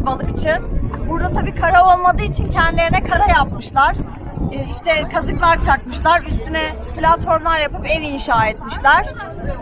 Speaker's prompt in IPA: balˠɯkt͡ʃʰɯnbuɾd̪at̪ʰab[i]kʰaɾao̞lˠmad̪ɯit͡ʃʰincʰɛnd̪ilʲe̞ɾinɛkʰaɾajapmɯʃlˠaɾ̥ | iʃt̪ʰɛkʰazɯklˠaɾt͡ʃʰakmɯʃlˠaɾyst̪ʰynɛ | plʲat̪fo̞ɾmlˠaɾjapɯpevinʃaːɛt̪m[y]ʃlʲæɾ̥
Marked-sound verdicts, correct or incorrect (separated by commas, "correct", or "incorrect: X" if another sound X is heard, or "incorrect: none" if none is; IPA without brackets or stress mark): incorrect: iː, incorrect: i